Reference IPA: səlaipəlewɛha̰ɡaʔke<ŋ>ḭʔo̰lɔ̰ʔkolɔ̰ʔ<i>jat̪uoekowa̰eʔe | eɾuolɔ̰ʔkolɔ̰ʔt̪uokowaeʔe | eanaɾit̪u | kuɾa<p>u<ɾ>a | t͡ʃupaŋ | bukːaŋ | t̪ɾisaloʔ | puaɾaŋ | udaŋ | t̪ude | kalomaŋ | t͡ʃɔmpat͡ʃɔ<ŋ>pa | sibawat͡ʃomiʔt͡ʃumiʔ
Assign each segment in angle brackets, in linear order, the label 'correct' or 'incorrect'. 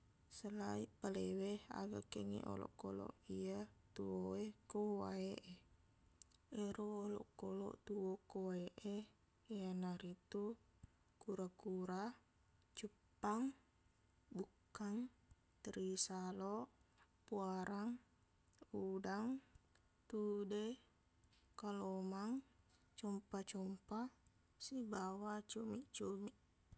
correct, correct, incorrect, correct, incorrect

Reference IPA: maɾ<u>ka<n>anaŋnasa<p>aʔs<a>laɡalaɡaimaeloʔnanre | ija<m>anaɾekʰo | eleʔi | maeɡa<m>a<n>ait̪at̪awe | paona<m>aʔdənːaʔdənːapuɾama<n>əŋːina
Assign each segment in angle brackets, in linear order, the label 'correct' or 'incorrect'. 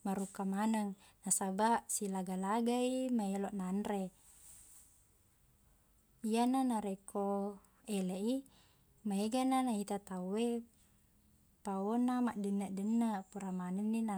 correct, incorrect, incorrect, incorrect, incorrect, incorrect, correct, correct, correct

